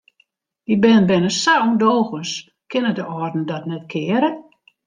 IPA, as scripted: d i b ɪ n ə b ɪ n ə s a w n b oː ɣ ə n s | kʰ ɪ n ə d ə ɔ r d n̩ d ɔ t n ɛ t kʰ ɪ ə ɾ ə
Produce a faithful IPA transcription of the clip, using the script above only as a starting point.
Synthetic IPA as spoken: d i b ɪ n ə b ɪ n ə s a w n d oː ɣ ə n s | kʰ ɪ n ə d ə ɔ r d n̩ d ɔ t n ɛ t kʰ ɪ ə ɾ ə